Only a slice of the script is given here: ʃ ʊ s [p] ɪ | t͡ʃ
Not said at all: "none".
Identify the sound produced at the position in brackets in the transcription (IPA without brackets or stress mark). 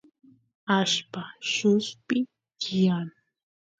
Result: p